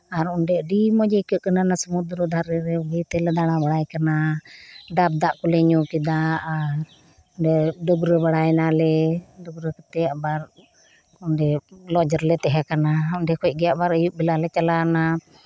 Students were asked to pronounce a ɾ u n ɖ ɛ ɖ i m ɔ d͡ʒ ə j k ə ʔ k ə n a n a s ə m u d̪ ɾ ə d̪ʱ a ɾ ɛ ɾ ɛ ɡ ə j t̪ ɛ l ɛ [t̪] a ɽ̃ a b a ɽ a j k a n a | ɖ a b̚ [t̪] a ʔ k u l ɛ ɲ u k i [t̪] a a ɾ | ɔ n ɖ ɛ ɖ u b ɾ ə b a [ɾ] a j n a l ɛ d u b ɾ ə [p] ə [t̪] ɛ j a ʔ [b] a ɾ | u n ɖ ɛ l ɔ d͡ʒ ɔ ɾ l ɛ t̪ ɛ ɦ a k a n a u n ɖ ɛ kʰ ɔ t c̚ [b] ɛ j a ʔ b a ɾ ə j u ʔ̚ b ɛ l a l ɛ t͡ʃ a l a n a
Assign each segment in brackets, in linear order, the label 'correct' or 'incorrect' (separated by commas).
incorrect, incorrect, incorrect, incorrect, incorrect, correct, correct, incorrect